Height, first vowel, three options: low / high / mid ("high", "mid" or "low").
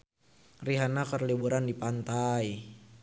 high